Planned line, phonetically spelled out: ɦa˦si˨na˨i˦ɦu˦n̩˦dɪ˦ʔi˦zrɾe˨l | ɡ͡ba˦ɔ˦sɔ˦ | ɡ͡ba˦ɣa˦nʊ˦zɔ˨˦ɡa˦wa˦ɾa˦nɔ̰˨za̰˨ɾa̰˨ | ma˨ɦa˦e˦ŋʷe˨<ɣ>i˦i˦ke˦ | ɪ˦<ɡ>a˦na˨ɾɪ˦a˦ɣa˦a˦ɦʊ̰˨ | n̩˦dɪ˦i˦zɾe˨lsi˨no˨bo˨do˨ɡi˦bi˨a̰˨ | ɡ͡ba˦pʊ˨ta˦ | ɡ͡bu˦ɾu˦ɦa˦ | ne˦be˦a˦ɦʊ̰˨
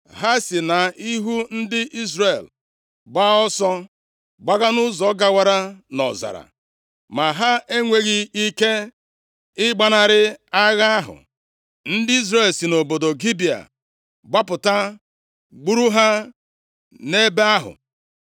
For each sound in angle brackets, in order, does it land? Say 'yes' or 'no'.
yes, no

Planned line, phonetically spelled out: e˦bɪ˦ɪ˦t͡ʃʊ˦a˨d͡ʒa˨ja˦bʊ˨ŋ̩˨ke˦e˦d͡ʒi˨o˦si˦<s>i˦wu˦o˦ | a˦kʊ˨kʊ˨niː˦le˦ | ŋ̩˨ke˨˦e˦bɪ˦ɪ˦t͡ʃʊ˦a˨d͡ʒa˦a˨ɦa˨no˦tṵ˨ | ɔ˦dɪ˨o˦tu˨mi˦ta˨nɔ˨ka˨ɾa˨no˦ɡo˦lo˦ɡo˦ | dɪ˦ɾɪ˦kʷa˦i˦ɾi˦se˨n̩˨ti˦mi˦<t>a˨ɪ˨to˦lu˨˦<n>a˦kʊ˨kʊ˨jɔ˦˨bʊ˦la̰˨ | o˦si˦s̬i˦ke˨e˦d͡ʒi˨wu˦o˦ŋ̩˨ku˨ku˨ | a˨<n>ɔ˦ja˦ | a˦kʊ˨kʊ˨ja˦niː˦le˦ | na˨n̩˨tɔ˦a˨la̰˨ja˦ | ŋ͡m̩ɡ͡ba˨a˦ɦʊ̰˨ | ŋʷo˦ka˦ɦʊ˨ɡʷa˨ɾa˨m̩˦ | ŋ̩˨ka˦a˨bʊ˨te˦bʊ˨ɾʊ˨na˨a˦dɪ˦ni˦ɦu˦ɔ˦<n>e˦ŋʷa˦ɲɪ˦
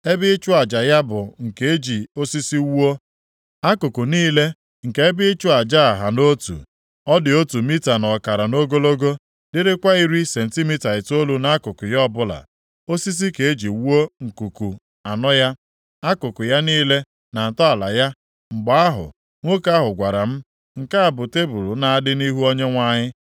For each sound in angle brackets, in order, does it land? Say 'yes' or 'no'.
yes, yes, yes, yes, no

